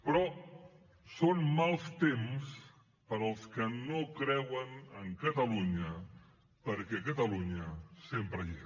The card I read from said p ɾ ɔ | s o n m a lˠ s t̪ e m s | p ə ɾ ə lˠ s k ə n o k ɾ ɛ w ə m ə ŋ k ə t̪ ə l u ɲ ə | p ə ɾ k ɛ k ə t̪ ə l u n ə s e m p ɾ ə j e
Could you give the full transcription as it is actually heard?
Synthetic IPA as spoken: p ɾ ɔ | s o n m a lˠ s t̪ e m s | p ə ɾ ə lˠ s k ə n o k ɾ ɛ w ə n ə ŋ k ə t̪ ə l u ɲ ə | p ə ɾ k ɛ k ə t̪ ə l u ɲ ə s e m p ɾ ə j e